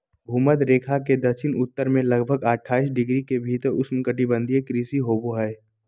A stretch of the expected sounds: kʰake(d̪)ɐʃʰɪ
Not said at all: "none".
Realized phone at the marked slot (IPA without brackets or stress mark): d̪